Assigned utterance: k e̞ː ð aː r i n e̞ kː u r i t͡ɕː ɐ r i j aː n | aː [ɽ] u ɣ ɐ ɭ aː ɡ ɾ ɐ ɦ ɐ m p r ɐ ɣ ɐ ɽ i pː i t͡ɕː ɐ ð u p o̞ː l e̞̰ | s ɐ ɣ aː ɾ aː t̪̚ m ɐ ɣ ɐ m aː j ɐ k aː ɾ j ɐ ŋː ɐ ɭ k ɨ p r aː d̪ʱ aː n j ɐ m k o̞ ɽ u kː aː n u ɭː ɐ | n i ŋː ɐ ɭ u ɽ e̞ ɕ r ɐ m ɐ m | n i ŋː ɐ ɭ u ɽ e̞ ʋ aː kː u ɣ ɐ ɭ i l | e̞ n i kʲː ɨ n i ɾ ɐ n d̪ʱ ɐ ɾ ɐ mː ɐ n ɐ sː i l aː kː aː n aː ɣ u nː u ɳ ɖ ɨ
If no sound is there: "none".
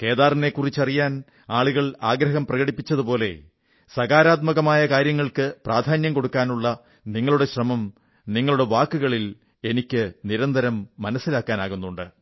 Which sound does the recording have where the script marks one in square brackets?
ɭ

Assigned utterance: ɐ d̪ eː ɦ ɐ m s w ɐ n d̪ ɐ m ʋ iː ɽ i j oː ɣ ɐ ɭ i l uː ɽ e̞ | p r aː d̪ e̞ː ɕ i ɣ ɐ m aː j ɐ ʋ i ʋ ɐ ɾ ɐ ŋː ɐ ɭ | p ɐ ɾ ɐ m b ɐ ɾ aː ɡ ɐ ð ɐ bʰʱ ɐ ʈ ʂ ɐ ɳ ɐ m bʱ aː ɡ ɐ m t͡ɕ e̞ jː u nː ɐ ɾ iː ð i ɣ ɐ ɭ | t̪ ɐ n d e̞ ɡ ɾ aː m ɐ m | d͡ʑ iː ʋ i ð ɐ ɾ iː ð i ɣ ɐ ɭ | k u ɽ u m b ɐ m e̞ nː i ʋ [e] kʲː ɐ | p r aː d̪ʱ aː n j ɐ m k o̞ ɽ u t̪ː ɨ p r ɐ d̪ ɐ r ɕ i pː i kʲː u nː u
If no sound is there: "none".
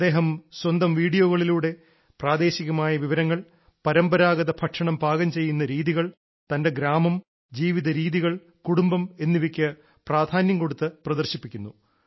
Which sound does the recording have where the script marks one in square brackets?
i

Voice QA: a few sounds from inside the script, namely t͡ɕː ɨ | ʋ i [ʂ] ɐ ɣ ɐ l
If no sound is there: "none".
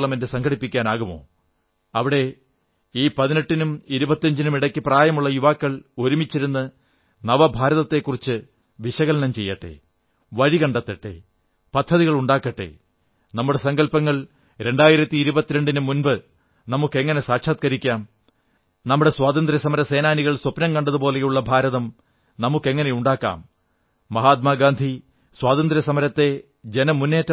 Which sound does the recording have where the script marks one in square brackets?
ɕ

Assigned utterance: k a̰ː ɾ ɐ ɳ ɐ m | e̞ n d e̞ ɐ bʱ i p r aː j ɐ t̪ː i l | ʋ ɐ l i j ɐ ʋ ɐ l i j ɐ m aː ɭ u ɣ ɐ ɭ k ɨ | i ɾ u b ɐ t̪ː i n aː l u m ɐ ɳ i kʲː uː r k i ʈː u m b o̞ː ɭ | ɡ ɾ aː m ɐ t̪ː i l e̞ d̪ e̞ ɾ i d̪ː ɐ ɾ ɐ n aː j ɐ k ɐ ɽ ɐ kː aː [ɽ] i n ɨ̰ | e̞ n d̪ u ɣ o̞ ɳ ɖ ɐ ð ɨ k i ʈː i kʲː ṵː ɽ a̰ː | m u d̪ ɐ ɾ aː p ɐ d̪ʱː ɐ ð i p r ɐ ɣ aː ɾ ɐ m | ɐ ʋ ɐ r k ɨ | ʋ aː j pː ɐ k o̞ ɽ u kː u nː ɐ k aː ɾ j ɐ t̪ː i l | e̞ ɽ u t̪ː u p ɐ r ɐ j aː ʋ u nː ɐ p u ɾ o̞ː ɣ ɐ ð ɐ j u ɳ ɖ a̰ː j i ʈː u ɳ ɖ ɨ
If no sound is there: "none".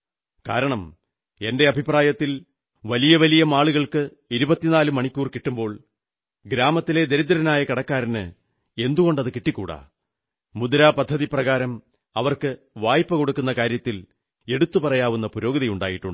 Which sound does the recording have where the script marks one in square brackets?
ɾ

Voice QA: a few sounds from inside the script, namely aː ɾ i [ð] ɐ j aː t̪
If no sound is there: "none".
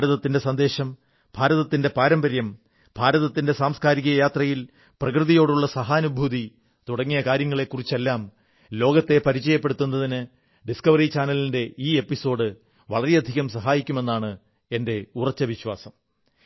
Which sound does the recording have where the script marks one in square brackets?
ɣ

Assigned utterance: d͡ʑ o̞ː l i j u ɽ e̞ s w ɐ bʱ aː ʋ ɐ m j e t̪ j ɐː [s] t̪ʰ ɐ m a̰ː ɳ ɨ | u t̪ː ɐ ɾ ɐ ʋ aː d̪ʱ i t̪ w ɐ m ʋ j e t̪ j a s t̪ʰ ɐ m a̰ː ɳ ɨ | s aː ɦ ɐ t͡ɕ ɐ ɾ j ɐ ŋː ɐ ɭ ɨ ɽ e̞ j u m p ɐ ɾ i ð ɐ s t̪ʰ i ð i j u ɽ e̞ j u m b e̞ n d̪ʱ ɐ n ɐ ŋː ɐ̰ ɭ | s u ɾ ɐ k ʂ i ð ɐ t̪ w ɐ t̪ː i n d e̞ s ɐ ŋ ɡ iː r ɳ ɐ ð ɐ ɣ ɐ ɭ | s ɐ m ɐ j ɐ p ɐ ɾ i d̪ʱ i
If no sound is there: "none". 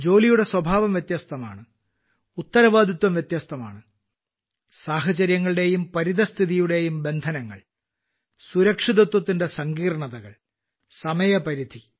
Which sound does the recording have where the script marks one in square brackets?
s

